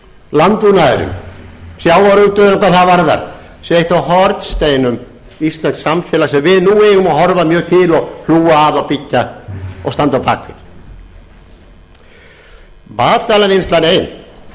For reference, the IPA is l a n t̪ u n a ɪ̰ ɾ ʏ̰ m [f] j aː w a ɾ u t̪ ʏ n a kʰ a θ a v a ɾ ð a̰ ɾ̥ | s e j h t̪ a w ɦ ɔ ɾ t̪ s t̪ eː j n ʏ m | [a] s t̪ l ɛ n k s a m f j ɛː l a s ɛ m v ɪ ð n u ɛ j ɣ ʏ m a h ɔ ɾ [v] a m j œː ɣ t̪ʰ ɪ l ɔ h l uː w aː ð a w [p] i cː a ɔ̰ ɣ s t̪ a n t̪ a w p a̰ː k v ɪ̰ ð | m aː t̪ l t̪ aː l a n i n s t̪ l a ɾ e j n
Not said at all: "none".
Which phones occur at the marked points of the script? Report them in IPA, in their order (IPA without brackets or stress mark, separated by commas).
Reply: s, i, v, p